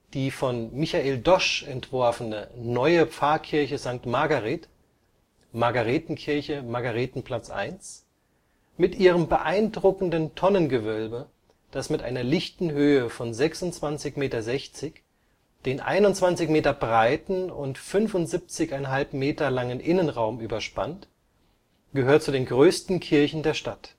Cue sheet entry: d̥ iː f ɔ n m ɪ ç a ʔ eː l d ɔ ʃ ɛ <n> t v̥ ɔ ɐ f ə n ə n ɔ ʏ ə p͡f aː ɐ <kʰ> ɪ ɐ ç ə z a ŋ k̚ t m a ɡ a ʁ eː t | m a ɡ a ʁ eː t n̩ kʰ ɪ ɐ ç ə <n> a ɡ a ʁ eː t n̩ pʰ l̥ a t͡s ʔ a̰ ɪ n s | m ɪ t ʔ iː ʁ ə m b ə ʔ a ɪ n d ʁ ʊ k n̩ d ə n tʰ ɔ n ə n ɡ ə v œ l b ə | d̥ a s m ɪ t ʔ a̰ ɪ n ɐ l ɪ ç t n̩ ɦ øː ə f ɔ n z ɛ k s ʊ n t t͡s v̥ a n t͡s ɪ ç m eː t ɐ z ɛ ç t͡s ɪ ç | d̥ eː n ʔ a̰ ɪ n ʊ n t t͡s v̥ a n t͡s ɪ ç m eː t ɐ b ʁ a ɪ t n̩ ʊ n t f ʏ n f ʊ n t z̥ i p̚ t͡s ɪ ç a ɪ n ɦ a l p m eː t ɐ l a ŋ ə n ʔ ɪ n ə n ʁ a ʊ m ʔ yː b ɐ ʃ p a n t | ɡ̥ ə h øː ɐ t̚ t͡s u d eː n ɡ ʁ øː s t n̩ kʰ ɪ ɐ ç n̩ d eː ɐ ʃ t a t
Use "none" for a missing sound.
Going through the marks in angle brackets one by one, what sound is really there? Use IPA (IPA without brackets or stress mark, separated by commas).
n, kʰ, m